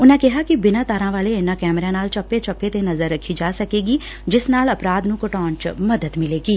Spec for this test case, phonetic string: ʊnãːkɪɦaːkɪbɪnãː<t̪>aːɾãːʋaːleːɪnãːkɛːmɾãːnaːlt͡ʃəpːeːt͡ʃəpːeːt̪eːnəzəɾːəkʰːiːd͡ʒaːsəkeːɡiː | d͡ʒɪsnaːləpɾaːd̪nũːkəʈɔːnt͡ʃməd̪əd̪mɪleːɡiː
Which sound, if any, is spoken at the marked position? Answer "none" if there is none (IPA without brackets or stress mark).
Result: t̪